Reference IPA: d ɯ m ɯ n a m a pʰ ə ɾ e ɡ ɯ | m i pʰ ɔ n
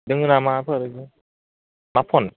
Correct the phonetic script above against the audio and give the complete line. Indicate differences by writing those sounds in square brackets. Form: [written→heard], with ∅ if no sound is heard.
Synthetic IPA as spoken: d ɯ [m→ŋ] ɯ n a m a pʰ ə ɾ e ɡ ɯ | m [i→a] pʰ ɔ n